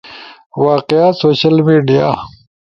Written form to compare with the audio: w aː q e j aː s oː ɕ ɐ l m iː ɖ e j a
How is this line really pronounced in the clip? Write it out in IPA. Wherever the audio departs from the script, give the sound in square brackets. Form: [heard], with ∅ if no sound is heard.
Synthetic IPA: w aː q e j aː s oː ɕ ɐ l m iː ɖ [i] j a